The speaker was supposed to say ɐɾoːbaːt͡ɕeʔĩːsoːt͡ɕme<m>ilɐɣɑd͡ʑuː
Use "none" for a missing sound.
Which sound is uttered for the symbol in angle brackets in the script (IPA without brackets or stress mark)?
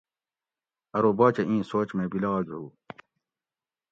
b